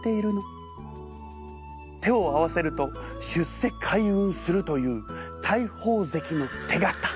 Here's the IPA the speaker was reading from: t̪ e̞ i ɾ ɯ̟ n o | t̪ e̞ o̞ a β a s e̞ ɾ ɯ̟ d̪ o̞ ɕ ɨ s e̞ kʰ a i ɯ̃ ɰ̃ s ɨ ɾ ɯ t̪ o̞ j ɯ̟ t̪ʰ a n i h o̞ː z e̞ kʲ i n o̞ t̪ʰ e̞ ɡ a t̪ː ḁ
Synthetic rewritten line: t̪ e̞ i ɾ ɯ̟ n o | t̪ e̞ o̞ a β a s e̞ ɾ ɯ̟ t̪ o̞ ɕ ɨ s e̞ kʰ a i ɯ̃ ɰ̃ s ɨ ɾ ɯ t̪ o̞ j ɯ̟ː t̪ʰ a i h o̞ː z e̞ kʲ i n o̞ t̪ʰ e̞ ɡ a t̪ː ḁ